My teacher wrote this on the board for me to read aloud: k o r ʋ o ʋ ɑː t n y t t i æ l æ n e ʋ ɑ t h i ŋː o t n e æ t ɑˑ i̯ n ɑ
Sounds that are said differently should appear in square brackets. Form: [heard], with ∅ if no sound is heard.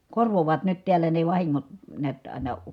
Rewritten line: k o r ʋ o ʋ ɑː t n y t t i æ [lː] æ n e ʋ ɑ [∅] h i ŋː o t n e æ t ɑˑ i̯ n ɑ